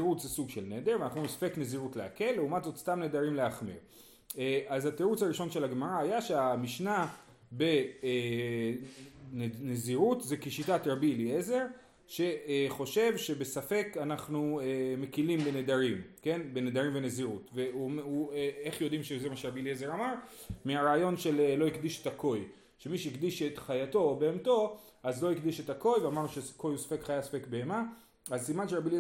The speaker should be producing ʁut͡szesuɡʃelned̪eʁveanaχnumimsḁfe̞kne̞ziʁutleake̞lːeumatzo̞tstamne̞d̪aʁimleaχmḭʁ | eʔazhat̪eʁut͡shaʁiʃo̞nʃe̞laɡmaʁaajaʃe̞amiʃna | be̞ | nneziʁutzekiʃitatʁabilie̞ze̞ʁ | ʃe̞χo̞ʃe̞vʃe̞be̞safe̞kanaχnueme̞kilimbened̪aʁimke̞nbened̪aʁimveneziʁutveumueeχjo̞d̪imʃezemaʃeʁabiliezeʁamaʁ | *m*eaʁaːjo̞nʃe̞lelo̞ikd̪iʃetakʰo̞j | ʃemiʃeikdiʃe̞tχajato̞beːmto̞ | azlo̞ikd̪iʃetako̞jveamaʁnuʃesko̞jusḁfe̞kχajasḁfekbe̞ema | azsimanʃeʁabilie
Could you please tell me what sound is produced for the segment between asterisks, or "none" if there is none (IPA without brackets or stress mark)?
m